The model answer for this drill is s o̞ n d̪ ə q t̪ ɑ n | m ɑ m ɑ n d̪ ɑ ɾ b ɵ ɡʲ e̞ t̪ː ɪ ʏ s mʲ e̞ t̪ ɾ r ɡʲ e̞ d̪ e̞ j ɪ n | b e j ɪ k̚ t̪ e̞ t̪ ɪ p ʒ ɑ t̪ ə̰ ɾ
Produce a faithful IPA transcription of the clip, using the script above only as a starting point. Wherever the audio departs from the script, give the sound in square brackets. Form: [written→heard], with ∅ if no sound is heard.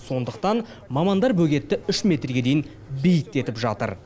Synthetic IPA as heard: s o̞ n d̪ ə q t̪ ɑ n | m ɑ m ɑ n d̪ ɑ ɾ b ɵ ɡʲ e̞ t̪ː ɪ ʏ [s→ʃ] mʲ e̞ t̪ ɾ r ɡʲ e̞ d̪ e̞ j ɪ n | b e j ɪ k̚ t̪ e̞ t̪ ɪ p ʒ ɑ t̪ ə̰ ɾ